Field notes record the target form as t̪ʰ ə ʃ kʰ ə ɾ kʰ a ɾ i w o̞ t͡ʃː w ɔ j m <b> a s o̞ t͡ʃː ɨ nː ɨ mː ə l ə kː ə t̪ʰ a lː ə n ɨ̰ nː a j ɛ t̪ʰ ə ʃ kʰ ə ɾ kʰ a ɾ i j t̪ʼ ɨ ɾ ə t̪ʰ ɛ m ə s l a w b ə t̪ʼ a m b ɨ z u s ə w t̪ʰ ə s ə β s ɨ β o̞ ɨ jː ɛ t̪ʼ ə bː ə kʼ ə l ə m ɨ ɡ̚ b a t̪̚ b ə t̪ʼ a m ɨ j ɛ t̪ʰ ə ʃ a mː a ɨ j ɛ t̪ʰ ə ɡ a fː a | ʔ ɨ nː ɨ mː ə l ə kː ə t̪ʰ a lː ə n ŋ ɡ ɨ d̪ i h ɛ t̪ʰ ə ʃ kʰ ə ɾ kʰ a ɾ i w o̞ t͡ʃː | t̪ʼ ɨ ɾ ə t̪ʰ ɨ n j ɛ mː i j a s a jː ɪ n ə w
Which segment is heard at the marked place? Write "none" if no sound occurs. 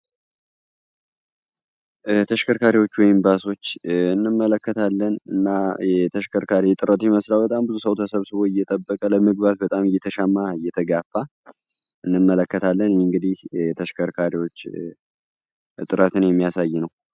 b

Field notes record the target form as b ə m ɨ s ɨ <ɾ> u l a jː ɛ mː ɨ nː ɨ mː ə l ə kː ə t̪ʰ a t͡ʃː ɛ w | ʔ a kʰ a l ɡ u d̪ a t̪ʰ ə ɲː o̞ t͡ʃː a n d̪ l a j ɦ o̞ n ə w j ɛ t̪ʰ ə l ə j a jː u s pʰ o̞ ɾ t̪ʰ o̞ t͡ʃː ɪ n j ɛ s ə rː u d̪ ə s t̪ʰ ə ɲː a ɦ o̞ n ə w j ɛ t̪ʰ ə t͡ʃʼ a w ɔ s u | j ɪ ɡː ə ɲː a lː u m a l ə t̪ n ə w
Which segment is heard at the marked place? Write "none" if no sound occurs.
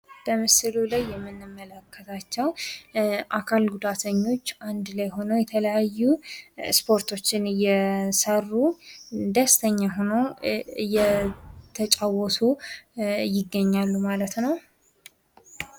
l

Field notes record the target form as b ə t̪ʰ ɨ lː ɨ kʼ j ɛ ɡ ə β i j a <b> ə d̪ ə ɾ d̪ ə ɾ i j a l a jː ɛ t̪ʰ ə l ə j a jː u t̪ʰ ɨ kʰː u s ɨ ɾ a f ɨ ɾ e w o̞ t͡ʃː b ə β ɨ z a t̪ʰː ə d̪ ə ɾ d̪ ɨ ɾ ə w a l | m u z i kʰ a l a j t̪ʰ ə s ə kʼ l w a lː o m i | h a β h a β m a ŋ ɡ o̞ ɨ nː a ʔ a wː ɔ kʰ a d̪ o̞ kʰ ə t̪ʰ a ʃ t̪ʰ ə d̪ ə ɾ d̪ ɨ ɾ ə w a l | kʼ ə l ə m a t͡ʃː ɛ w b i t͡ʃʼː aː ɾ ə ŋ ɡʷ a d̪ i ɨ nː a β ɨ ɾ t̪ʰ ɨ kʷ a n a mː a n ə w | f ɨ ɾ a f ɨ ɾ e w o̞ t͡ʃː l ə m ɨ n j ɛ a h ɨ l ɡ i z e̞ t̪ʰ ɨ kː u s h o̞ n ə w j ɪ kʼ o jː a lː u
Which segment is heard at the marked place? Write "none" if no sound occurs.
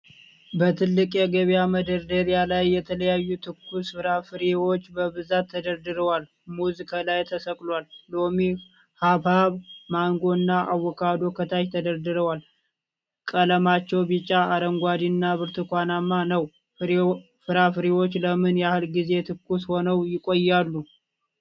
m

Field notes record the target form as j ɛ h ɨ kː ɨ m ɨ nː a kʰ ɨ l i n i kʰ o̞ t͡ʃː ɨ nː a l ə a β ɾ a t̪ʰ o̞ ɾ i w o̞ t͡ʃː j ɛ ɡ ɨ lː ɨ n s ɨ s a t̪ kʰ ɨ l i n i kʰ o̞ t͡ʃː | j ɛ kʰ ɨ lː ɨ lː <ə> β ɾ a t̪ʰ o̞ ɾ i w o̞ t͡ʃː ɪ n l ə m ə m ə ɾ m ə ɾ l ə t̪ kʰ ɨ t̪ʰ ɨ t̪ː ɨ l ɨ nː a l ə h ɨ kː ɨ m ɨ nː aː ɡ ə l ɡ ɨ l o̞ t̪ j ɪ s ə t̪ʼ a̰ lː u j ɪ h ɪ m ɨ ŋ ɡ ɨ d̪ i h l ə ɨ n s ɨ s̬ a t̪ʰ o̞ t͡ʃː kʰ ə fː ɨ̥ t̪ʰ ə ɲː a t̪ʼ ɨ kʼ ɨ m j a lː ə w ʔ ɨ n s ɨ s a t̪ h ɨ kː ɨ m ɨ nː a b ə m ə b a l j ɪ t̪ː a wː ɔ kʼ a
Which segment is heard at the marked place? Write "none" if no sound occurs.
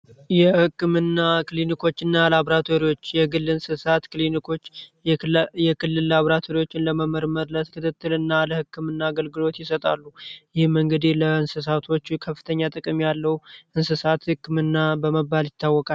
a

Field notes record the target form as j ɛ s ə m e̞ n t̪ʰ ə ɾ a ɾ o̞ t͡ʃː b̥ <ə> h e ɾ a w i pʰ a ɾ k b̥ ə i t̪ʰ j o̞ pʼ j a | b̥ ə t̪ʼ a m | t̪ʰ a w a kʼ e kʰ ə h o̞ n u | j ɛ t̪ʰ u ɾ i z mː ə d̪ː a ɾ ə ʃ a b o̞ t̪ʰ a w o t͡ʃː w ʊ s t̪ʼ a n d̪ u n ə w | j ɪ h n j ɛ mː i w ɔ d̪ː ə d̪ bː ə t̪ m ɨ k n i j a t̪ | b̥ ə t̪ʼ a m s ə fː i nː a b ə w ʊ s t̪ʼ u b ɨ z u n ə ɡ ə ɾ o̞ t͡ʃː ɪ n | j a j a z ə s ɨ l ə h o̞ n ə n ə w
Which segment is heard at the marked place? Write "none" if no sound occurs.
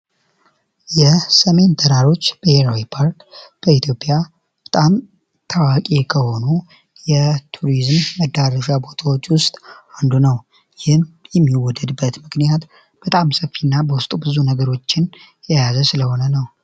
ə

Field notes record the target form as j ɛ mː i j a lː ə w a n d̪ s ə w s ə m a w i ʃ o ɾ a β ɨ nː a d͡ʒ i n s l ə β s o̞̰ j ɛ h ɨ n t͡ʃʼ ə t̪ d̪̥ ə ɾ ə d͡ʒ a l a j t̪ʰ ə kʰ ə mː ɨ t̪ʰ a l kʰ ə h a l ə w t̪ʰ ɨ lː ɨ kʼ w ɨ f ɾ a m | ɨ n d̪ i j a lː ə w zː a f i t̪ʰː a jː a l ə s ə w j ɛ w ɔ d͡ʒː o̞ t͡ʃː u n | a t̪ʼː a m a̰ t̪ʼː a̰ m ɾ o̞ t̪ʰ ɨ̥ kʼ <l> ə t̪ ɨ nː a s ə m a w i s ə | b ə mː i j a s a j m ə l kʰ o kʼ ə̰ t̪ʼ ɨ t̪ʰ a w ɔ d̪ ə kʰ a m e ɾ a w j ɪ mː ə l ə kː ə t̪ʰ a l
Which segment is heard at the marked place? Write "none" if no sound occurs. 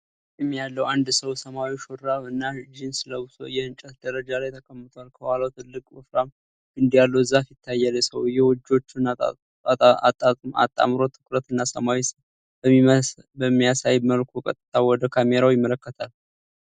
ɾ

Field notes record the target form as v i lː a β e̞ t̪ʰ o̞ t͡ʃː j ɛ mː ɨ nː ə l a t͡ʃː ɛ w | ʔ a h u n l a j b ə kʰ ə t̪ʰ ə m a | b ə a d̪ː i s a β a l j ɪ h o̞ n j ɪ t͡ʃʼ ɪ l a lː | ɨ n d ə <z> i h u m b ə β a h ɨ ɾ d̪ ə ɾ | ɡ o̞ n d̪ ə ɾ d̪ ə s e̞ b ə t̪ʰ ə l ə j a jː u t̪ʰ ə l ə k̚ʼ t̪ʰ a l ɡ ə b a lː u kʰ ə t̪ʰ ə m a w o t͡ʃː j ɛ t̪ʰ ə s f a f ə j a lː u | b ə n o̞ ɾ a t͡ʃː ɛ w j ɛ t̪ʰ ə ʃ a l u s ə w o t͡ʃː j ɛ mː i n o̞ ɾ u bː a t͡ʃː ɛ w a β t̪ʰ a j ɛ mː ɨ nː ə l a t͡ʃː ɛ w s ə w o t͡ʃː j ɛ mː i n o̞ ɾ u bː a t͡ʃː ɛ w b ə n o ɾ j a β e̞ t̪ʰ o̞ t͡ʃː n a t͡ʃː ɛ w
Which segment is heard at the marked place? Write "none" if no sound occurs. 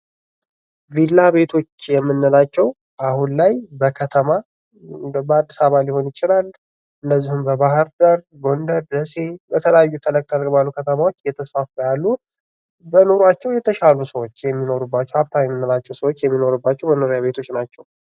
zː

